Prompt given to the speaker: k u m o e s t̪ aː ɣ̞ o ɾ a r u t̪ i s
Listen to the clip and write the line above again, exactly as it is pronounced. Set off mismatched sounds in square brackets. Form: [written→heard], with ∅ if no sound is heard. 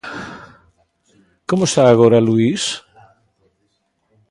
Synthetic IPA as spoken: k [u→o] m o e s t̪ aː ɣ̞ o ɾ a [r→l] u [t̪→∅] i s